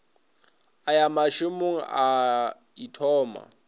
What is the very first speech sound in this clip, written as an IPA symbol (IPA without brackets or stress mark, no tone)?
a